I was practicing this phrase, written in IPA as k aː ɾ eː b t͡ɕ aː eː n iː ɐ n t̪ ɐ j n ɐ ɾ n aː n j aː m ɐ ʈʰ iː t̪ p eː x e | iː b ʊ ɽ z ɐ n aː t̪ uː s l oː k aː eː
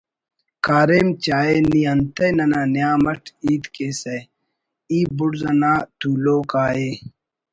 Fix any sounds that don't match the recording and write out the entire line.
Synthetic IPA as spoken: k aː ɾ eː m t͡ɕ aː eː n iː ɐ n t̪ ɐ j n ɐ n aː n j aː m ɐ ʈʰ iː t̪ k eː s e | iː b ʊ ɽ z ɐ n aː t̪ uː l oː k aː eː